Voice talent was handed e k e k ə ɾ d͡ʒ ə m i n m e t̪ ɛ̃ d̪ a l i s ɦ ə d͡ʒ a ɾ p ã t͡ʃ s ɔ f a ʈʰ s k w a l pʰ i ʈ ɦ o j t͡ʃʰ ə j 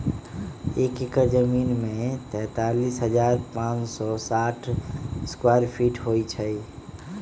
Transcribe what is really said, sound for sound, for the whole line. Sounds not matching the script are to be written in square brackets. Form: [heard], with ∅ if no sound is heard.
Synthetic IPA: e k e k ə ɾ d͡ʒ ə m i n m e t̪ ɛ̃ [t̪] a l i s ɦ ə d͡ʒ a ɾ p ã t͡ʃ s ɔ [s] a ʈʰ s k w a [ɾ] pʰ i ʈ ɦ o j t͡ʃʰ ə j

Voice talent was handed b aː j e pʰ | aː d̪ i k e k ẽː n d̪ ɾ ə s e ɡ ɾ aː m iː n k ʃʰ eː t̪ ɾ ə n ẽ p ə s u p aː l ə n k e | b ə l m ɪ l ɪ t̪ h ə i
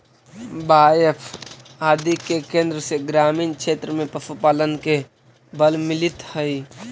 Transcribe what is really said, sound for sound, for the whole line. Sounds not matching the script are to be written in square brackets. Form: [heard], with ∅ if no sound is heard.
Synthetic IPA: b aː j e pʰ | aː d̪ i k e k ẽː n d̪ ɾ ə s e ɡ ɾ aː m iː n k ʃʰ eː t̪ ɾ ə [m] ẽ p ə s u p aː l ə n k e | b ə l m ɪ l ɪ t̪ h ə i

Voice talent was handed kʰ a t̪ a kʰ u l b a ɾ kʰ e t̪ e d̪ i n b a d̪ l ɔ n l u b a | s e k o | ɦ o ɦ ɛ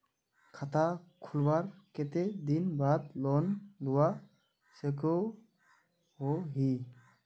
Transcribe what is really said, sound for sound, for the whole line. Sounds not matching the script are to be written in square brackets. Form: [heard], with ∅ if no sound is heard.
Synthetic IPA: kʰ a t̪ a kʰ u l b a ɾ [k] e t̪ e d̪ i n b a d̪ l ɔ n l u [w] a | s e k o | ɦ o ɦ [i]

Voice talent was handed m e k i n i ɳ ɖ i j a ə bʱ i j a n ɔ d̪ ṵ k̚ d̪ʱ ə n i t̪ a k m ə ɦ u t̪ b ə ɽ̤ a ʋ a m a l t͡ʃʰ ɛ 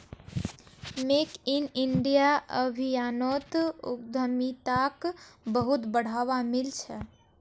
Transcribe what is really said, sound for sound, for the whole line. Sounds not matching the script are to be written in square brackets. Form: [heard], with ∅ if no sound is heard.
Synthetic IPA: m e k i n i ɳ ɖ i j a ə bʱ i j a n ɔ [t̪] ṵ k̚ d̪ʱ ə [m] i t̪ a k [b] ə ɦ u t̪ b ə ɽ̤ a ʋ a m [i] l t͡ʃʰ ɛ

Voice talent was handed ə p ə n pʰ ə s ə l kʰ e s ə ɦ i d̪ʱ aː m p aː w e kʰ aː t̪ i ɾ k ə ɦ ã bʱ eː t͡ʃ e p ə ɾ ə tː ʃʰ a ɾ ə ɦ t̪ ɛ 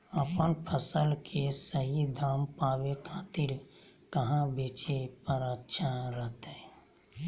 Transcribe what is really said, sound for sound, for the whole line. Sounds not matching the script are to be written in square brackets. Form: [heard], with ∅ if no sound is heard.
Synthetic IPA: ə p ə n pʰ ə s ə l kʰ e s ə ɦ i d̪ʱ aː m p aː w e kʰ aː t̪ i ɾ k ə ɦ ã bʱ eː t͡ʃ e p ə ɾ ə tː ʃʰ a ɾ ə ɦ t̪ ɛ

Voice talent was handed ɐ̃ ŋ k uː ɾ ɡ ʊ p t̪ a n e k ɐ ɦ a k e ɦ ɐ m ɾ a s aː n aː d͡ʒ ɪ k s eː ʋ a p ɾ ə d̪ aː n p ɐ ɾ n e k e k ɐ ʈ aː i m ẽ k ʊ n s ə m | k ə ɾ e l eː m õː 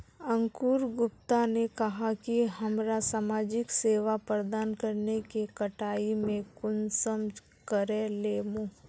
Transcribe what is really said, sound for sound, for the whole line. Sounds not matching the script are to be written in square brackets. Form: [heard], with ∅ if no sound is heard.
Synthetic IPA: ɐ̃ ŋ k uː ɾ ɡ ʊ p t̪ a n e k ɐ ɦ a k [i] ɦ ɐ m ɾ a s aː [m] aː d͡ʒ ɪ k s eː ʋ a p ɾ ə d̪ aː n [k] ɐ ɾ n e k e k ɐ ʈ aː i m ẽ k ʊ n s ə m | k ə ɾ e l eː m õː

